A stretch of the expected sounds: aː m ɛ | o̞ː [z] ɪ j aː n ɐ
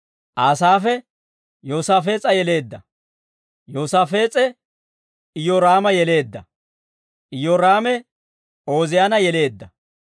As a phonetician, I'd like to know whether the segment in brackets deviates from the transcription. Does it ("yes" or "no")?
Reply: no